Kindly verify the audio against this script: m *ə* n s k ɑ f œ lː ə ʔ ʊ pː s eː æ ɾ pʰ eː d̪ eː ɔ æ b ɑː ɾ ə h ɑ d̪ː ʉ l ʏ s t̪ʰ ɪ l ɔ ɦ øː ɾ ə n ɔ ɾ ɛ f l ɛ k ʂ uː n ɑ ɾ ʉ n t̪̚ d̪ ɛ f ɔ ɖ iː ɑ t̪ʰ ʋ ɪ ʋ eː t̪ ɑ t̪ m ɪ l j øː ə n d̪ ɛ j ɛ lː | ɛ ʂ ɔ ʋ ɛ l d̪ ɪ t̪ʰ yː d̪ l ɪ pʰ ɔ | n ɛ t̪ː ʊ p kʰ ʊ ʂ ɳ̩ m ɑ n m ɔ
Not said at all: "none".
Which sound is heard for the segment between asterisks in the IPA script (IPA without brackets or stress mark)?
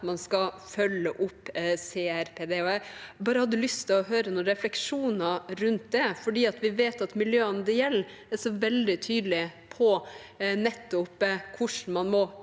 ɑ